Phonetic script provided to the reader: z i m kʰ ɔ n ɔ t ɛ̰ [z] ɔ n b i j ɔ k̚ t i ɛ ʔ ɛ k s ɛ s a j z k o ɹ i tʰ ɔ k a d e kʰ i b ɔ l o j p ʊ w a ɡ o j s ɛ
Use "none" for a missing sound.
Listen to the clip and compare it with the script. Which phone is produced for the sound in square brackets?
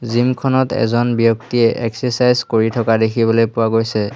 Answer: z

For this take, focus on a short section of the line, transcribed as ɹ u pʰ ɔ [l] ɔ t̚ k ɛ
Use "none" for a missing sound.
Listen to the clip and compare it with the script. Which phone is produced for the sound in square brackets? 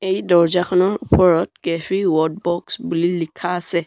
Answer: ɹ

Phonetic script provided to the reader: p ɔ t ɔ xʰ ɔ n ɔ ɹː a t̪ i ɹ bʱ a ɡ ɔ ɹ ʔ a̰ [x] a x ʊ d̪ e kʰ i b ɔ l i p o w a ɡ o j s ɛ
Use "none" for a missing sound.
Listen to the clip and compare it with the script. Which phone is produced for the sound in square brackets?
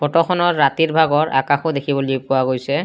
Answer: k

